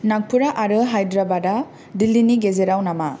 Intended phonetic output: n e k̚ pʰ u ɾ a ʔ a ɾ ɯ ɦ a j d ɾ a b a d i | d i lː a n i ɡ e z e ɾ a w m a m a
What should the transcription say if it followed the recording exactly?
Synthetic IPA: n a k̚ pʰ u ɾ a ʔ a ɾ ɯ ɦ a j d ɾ a b a d a | d i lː i n i ɡ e z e ɾ a w n a m a